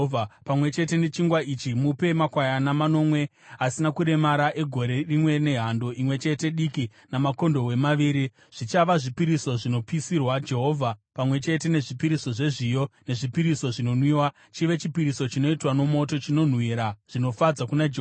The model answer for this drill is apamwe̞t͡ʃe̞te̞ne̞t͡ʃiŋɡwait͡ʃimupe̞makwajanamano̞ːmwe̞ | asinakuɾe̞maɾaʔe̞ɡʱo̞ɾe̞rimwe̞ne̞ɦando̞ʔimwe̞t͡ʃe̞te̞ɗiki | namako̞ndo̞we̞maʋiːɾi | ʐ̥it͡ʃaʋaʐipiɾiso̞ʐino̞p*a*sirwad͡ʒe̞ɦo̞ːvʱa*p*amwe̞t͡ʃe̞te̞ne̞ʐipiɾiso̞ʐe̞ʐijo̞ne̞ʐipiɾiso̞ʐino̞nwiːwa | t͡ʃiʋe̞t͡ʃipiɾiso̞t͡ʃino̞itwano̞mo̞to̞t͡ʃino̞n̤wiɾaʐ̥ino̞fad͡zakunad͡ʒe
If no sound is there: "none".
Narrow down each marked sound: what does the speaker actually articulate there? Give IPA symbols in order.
i, p

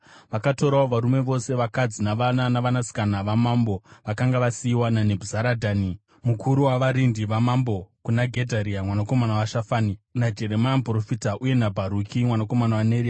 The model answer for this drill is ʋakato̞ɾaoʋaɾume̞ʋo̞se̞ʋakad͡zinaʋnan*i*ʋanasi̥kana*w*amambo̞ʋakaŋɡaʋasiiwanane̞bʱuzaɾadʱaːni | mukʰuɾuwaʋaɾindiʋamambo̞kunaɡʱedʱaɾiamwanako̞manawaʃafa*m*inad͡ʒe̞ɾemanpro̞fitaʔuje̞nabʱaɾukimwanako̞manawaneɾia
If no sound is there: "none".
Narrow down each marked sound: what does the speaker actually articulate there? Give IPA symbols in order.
a, ʋ, n

